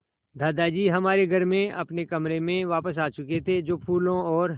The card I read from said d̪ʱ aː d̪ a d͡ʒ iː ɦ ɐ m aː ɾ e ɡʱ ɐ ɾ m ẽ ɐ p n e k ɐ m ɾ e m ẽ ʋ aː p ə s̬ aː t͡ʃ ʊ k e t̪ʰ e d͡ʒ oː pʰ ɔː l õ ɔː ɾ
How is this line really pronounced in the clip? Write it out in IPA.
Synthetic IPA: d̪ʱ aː d̪ a d͡ʒ iː ɦ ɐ m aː ɾ e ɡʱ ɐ ɾ m ẽ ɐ p n e k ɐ m ɾ e m ẽ ʋ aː p ə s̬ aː t͡ʃ ʊ k e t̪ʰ e d͡ʒ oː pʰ uː l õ ɔː ɾ